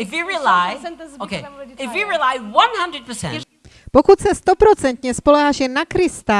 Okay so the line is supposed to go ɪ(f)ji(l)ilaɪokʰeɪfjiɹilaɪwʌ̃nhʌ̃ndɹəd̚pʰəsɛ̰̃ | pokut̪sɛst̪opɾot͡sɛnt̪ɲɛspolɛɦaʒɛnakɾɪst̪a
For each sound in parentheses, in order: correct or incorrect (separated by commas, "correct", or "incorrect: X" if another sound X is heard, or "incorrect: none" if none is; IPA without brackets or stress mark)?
correct, incorrect: ɹ